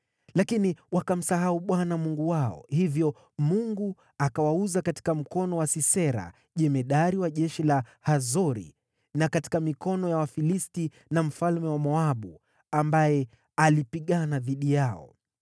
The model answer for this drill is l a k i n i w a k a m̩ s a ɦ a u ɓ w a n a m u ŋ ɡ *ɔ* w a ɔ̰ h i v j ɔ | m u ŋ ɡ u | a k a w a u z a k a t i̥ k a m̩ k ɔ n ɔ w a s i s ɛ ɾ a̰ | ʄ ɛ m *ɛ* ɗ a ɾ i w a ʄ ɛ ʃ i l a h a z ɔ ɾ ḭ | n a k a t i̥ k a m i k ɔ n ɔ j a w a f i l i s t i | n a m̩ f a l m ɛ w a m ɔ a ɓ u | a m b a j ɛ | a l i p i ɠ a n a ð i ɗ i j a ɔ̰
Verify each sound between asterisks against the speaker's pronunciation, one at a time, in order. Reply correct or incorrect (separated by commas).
incorrect, correct